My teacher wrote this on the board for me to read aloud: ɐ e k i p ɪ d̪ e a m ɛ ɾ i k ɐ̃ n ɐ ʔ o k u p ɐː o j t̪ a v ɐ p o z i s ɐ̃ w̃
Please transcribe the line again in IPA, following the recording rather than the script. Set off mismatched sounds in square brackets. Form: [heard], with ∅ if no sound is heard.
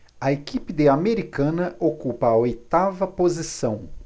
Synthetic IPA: ɐ e k i p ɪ d̪ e a m [e] ɾ i k ɐ̃ n ɐ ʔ o k u p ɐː o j t̪ a v ɐ p o z i s ɐ̃ w̃

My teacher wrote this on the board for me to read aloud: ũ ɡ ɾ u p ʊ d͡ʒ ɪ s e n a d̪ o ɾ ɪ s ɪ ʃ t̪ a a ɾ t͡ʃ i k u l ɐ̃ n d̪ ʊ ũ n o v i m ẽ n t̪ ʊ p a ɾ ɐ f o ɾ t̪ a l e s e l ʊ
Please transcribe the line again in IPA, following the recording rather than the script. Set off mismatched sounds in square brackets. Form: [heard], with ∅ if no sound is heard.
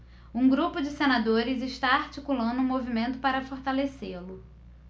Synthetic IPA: ũ ɡ ɾ u p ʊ d͡ʒ ɪ s e n a d̪ o ɾ ɪ [z] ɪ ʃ t̪ a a ɾ t͡ʃ i k u l ɐ̃ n d̪ ʊ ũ [m] o v i m ẽ n t̪ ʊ p a ɾ ɐ f o ɾ t̪ a l e s e l ʊ

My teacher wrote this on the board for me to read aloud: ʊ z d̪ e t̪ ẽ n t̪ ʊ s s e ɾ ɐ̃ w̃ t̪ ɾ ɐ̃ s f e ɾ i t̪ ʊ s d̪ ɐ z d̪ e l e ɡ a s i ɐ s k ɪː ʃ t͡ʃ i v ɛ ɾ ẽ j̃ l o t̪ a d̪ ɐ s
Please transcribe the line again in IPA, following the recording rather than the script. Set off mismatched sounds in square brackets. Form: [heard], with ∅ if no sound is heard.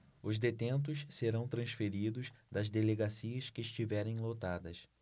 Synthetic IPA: ʊ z d̪ e t̪ ẽ n t̪ ʊ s s e ɾ ɐ̃ w̃ t̪ ɾ ɐ̃ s f e ɾ i [d̪] ʊ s d̪ ɐ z d̪ e l e ɡ a s i ɐ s k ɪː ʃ t͡ʃ i v ɛ ɾ ẽ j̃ l o t̪ a d̪ ɐ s

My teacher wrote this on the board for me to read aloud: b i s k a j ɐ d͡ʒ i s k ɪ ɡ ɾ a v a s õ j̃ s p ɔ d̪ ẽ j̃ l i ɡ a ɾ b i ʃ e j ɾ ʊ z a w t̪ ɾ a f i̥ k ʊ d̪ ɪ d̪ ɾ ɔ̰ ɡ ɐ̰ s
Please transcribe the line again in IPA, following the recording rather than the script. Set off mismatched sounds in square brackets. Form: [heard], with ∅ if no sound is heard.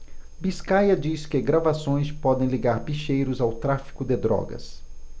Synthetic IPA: b i s k a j ɐ d͡ʒ i s k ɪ ɡ ɾ a v a s õ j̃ s p ɔ d̪ ẽ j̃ l i ɡ a ɾ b i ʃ e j ɾ ʊ z a w t̪ ɾ a f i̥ k ʊ d̪ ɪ d̪ ɾ ɔ̰ ɡ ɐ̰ s

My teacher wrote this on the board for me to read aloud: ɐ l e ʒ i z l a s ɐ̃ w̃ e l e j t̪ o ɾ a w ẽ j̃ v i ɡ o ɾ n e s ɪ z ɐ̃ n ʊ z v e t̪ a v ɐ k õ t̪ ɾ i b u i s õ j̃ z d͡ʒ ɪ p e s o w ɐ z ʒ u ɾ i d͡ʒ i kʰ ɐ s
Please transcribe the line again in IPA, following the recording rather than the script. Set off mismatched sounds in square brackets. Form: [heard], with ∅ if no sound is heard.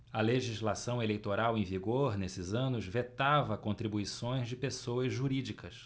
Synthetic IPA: ɐ l e ʒ i z l a s ɐ̃ w̃ e l e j t̪ o ɾ a w ẽ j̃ v i ɡ o ɾ n e s ɪ z ɐ̃ n ʊ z v e t̪ a v ɐ k õ t̪ ɾ i b u i s õ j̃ z d͡ʒ ɪ p e s o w ɐ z ʒ u ɾ i d͡ʒ i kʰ ɐ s

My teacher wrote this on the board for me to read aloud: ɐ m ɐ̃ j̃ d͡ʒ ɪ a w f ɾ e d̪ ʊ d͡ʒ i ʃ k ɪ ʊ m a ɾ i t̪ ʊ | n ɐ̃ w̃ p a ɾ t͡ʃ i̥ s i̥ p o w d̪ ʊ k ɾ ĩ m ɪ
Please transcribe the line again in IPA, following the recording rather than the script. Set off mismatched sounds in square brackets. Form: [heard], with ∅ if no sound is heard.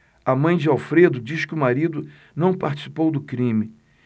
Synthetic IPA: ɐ m ɐ̃ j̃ d͡ʒ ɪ a w f ɾ e d̪ ʊ d͡ʒ i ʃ k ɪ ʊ m a ɾ i [d̪] ʊ | n ɐ̃ w̃ p a ɾ t͡ʃ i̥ s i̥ p o w d̪ ʊ k ɾ ĩ m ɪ

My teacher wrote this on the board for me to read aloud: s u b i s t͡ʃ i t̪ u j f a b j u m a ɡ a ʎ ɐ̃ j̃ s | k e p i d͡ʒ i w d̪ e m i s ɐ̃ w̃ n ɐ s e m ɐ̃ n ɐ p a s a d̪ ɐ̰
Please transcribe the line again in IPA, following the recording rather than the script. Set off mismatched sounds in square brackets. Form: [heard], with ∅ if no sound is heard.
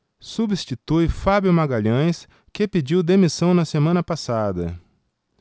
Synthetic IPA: s u b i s t͡ʃ i t̪ u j f a b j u m a ɡ a ʎ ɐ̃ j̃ s | k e p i d͡ʒ i w d̪ e m i s ɐ̃ w̃ n ɐ s e m ɐ̃ n ɐ p a s a d̪ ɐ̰

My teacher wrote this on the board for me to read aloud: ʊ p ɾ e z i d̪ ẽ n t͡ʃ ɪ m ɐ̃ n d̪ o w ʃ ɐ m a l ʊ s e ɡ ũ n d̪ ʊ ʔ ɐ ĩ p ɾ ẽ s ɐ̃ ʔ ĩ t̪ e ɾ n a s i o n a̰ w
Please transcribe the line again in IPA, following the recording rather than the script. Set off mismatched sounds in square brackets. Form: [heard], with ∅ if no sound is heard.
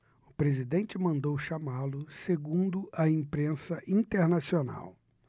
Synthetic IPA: ʊ p ɾ e z i d̪ ẽ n t͡ʃ ɪ m ɐ̃ n d̪ o w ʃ [a] m a l ʊ s e ɡ ũ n d̪ ʊ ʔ ɐ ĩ p ɾ ẽ s [ɐ] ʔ ĩ t̪ e ɾ n a s i o n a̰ w

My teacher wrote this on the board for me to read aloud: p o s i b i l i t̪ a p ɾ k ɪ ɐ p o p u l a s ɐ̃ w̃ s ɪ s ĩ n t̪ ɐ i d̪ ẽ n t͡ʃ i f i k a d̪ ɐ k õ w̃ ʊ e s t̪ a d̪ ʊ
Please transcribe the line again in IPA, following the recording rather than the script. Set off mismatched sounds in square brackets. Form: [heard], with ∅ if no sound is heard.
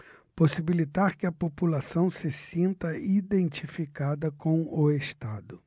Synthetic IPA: p o s i b i l i t̪ a [∅] ɾ k ɪ ɐ p o p u l a s ɐ̃ w̃ s ɪ s ĩ n t̪ ɐ i d̪ ẽ n t͡ʃ i f i k a d̪ ɐ k õ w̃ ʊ e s t̪ a d̪ ʊ

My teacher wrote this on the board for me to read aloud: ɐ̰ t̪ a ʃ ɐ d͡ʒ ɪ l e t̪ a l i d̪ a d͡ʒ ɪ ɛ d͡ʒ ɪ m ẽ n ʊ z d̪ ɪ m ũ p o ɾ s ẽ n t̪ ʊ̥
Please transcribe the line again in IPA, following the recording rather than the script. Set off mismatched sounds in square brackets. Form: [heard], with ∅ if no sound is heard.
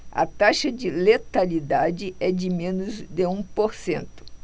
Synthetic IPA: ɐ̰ t̪ a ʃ ɐ d͡ʒ ɪ l e t̪ a l i d̪ a d͡ʒ ɪ ɛ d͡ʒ ɪ m ẽ n ʊ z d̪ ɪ [∅] ũ p o ɾ s ẽ n t̪ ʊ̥

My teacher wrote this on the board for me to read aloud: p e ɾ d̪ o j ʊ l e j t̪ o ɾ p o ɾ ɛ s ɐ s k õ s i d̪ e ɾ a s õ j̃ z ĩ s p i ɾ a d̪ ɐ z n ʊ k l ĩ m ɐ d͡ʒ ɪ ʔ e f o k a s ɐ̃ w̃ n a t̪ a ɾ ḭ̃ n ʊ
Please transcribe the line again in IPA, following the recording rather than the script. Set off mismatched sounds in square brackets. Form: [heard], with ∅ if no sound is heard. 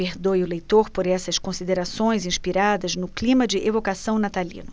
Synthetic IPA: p e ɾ d̪ o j ʊ l e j t̪ o ɾ p o ɾ ɛ s ɐ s k õ s i d̪ e ɾ a s õ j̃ z ĩ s p i ɾ a d̪ ɐ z n ʊ k l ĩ m ɐ d͡ʒ ɪ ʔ e [v] o k a s ɐ̃ w̃ n a t̪ a [l] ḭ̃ n ʊ

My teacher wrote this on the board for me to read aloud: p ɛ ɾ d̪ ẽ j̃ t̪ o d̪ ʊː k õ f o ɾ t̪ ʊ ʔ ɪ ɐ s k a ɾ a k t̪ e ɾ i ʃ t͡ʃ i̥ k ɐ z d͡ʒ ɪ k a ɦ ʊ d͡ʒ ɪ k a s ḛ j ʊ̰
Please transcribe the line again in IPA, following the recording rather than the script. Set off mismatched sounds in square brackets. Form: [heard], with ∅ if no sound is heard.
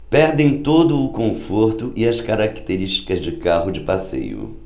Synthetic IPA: p ɛ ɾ d̪ ẽ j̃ t̪ o d̪ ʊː k õ f o ɾ t̪ ʊ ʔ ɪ ɐ s k a ɾ a k t̪ e ɾ i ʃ t͡ʃ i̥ k ɐ z d͡ʒ ɪ k a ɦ ʊ d͡ʒ ɪ [p] a s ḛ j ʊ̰

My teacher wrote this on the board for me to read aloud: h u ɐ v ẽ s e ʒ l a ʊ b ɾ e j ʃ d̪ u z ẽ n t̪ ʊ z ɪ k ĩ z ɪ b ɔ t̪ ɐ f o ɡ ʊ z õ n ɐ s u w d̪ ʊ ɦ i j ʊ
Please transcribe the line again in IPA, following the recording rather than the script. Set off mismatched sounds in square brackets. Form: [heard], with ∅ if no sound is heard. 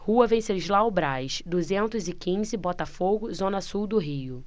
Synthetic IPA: h u ɐ v ẽ s e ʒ l a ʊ b ɾ [a] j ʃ d̪ u z ẽ n t̪ ʊ z ɪ k ĩ z ɪ b ɔ t̪ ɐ f o ɡ ʊ z õ n ɐ s u w d̪ ʊ ɦ i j ʊ

